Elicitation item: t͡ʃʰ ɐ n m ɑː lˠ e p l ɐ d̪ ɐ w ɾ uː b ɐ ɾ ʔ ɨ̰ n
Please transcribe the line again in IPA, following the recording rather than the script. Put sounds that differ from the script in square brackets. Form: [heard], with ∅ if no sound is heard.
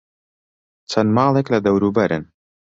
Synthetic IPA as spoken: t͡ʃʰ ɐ n m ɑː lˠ e [k] l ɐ d̪ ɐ w ɾ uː b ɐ ɾ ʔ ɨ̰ n